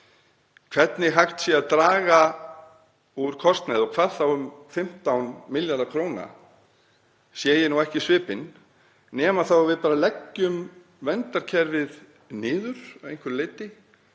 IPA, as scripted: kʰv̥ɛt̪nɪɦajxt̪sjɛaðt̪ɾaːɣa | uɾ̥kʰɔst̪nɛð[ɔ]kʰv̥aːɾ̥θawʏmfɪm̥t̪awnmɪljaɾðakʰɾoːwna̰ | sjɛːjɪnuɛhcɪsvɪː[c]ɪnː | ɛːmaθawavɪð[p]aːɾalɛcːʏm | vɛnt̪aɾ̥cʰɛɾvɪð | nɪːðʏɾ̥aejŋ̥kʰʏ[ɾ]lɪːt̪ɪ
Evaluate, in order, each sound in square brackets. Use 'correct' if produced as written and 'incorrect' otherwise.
correct, incorrect, correct, correct

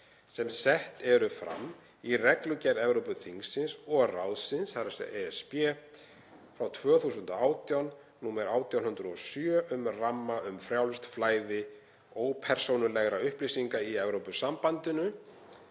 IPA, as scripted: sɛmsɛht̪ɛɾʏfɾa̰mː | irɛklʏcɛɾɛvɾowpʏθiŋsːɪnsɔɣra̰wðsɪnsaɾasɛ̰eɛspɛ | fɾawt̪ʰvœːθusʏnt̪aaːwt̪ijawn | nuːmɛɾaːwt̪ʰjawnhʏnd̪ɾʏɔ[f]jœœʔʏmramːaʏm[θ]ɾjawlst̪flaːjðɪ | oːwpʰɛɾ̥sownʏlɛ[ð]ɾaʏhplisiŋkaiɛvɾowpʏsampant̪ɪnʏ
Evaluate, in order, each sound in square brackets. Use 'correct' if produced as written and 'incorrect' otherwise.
incorrect, incorrect, incorrect

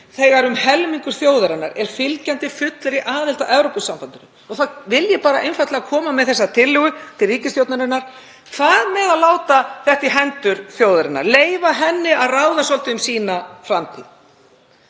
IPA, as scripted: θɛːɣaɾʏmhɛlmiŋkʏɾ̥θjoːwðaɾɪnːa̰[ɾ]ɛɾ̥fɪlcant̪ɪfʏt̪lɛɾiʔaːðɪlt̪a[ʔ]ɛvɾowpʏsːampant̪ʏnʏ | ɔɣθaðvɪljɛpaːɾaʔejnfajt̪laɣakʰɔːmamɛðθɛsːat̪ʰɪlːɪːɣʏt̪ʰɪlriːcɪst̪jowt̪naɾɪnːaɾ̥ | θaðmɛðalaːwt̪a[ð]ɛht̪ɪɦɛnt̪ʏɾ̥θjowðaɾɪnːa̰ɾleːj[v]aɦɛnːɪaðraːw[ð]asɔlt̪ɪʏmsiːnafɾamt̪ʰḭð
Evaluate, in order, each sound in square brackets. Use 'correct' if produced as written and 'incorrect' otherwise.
correct, correct, incorrect, correct, correct

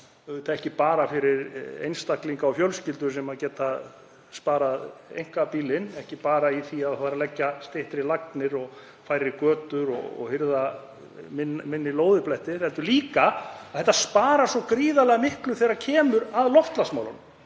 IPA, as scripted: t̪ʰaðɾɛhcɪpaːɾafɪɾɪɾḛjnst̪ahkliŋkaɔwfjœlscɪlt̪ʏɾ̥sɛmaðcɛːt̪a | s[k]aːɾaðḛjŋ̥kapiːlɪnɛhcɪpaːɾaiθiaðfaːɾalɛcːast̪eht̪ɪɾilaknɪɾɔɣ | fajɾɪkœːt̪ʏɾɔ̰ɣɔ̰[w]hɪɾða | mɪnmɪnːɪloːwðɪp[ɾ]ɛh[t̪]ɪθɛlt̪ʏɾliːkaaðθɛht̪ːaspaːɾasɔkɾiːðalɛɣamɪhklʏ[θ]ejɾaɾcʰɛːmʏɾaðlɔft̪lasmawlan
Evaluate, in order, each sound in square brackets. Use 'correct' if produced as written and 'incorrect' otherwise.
incorrect, incorrect, incorrect, correct, correct

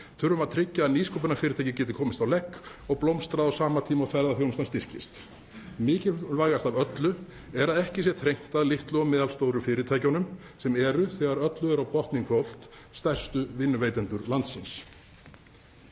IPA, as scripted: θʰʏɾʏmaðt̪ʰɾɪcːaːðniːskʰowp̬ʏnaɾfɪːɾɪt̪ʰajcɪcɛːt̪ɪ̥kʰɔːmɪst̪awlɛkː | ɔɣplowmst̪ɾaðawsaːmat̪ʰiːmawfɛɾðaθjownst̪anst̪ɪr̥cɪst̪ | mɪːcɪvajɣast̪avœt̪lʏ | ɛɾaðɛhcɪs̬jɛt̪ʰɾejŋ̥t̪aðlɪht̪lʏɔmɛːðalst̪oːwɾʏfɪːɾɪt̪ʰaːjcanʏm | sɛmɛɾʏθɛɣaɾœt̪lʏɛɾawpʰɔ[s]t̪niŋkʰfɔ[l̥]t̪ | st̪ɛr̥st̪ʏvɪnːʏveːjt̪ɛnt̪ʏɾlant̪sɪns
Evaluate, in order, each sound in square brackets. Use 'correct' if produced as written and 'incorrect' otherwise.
incorrect, correct

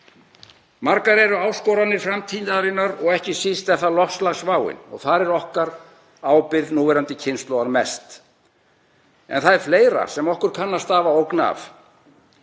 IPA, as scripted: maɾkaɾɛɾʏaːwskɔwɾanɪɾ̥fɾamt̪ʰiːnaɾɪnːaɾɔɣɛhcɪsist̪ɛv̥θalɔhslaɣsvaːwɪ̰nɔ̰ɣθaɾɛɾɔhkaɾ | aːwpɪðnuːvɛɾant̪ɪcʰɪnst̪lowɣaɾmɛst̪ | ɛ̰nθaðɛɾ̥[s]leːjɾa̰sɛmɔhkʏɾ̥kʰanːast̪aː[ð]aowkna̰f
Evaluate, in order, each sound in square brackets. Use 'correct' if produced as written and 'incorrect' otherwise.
incorrect, incorrect

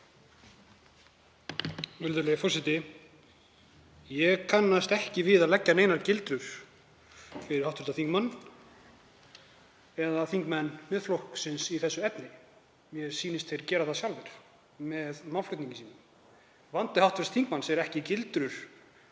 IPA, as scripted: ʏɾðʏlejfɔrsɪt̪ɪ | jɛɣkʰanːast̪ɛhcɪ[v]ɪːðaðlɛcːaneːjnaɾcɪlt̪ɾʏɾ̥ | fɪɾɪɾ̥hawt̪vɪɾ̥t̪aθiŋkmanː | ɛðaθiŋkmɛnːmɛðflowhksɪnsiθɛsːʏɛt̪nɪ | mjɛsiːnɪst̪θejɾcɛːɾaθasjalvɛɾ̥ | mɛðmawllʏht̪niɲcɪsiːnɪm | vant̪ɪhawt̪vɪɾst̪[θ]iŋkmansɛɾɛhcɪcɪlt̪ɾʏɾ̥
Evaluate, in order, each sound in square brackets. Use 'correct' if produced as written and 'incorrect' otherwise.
correct, correct

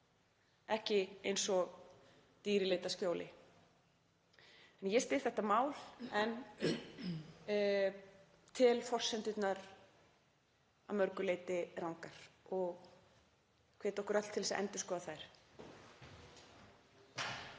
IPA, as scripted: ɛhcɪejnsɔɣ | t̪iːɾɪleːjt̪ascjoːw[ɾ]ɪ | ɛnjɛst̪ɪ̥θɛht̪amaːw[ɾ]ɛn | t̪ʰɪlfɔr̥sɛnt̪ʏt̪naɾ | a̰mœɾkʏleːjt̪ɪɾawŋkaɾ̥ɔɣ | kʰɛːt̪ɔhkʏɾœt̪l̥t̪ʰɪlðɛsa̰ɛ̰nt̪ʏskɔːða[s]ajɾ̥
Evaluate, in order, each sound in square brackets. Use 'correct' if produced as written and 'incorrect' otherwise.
incorrect, incorrect, incorrect

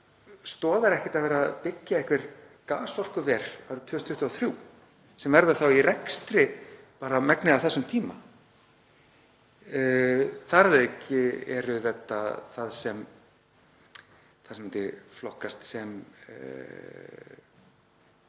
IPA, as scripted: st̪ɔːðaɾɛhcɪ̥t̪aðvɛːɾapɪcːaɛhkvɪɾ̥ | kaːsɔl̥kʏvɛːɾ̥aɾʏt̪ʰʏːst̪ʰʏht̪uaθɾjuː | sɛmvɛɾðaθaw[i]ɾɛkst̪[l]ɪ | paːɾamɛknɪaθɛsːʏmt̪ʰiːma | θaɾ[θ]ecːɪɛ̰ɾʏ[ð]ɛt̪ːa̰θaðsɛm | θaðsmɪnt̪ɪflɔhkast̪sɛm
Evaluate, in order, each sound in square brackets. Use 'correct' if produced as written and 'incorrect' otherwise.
correct, incorrect, incorrect, incorrect

